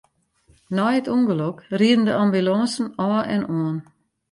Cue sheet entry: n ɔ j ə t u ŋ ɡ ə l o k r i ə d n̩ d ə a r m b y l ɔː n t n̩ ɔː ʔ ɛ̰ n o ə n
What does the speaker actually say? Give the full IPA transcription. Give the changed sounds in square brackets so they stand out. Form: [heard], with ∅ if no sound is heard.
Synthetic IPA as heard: n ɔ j ə t u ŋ ɡ ə l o k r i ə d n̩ d ə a [∅] m b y l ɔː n [s] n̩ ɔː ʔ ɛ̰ n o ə n